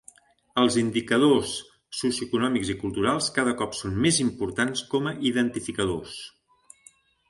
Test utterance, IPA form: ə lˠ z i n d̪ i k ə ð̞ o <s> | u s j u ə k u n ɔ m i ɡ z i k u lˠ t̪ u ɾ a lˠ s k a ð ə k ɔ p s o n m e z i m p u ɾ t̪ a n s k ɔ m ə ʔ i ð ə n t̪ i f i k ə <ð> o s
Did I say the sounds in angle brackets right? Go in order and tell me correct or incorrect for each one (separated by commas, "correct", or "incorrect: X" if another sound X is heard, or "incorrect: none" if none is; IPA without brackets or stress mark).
incorrect: sː, correct